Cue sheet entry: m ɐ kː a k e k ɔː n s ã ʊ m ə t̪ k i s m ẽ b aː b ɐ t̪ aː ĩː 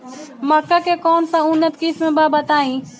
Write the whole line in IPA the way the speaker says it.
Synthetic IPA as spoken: m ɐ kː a k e k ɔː n s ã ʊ n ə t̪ k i s m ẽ b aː b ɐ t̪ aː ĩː